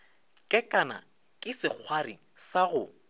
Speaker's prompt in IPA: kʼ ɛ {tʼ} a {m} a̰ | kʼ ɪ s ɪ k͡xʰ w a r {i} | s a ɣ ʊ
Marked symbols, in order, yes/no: no, no, yes

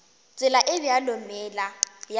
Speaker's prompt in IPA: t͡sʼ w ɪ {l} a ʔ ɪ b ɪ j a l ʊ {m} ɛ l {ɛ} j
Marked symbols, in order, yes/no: yes, yes, no

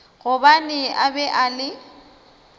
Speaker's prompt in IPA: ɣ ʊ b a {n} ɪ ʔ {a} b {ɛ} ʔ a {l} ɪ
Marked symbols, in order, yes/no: yes, yes, yes, yes

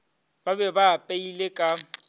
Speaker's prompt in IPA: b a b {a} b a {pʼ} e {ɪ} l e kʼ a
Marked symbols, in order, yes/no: no, yes, no

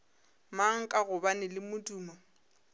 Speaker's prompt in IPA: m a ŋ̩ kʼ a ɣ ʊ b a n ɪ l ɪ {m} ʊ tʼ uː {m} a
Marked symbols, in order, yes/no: yes, yes

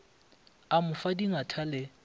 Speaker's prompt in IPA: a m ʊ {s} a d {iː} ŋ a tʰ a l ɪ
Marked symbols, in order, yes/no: no, no

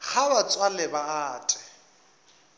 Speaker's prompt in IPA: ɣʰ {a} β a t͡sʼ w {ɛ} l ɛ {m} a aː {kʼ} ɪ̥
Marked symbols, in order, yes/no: yes, no, no, no

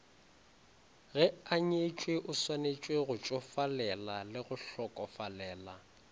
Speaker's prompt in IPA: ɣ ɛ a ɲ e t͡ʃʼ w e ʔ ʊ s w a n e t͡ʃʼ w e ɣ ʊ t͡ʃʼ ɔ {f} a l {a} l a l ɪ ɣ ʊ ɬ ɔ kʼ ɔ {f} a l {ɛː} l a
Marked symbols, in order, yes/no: yes, no, yes, yes

